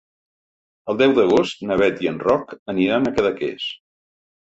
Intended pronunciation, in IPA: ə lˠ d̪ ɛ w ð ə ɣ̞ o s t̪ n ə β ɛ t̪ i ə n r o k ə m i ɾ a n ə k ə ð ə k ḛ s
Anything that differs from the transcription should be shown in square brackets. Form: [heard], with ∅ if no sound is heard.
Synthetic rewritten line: ə lˠ d̪ ɛ w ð ə ɣ̞ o s t̪ n ə β ɛ t̪ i ə n r [ɔ] k ə [n] i ɾ a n ə k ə ð ə k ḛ s